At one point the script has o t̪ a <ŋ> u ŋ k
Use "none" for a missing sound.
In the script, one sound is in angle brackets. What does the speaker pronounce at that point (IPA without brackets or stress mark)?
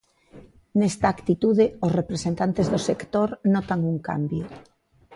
ŋ